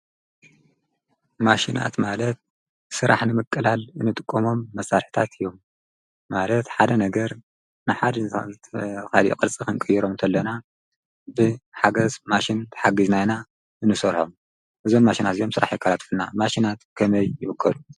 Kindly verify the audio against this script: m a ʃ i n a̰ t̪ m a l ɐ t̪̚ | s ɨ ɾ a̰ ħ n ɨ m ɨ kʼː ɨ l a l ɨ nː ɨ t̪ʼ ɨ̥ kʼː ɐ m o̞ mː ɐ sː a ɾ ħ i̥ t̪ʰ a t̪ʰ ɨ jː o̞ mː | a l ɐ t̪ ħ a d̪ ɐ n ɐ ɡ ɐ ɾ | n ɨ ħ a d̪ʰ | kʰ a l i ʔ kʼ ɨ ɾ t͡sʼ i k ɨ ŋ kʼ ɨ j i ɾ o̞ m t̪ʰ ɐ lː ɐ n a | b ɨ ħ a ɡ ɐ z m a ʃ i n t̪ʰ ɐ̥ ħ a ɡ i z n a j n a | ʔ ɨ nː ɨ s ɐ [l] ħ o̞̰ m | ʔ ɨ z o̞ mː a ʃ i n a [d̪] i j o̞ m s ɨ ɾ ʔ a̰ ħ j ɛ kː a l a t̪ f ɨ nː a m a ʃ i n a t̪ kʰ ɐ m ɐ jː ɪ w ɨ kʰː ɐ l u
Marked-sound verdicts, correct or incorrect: incorrect, incorrect

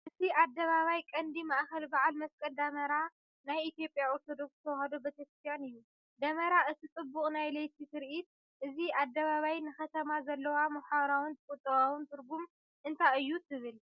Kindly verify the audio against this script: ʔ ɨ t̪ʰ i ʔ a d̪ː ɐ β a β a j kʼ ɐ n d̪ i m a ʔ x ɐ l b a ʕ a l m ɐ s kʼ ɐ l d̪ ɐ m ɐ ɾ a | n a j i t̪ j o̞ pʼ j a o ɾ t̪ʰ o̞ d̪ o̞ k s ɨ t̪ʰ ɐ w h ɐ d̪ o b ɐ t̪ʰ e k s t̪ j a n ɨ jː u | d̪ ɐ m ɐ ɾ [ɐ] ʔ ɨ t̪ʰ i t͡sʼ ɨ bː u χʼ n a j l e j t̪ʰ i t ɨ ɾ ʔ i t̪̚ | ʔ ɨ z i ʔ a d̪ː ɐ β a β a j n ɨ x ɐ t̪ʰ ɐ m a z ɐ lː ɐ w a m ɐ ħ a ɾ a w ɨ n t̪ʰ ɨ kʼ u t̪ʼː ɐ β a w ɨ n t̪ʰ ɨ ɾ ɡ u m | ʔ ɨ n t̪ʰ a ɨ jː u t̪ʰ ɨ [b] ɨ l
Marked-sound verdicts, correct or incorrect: incorrect, incorrect

